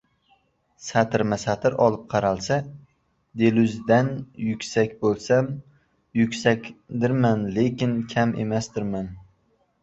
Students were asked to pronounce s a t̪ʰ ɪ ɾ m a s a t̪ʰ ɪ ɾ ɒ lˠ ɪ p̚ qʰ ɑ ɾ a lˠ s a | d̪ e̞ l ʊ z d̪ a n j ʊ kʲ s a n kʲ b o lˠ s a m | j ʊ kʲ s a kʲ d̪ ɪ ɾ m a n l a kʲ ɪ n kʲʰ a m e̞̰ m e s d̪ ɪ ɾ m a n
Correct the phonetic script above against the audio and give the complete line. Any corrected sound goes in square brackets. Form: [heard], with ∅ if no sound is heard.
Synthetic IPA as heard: s a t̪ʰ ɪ ɾ m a s a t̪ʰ ɪ ɾ ɒ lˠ ɪ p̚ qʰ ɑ ɾ a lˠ s a | d̪ e̞ l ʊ z d̪ a n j ʊ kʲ s a [∅] kʲ b o lˠ s a m | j ʊ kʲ s a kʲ d̪ ɪ ɾ m a n l [e] kʲ ɪ n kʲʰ a m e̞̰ m [a] s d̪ ɪ ɾ m a n